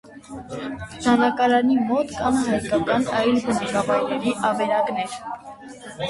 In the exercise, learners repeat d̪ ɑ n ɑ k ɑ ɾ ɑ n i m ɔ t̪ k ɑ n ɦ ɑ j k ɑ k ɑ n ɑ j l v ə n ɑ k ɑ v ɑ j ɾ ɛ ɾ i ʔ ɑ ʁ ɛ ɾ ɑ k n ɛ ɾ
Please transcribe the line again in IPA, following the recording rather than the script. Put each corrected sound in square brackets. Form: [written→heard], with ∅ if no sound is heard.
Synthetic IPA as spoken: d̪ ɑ n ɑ k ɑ ɾ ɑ n i m ɔ t̪ k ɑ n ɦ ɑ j k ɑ k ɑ n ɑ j l [v→b] ə n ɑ k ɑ v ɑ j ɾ ɛ ɾ i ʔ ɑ [ʁ→v] ɛ ɾ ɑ k n ɛ ɾ